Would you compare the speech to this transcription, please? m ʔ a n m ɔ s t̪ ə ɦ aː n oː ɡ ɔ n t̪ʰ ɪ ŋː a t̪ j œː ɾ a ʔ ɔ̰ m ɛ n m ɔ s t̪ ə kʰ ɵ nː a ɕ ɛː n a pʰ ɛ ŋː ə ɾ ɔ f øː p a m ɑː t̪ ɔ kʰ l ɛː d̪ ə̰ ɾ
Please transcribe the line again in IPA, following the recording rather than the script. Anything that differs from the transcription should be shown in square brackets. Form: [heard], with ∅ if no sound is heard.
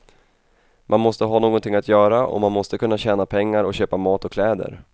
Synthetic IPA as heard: m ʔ a n m ɔ s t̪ ə ɦ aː n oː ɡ ɔ n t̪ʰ ɪ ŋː a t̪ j œː ɾ a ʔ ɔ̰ m [a] n m ɔ s t̪ ə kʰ ɵ nː a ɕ ɛː n a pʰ ɛ ŋː [a] ɾ ɔ [ɕ] øː p a m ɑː t̪ ɔ kʰ l ɛː d̪ ə̰ ɾ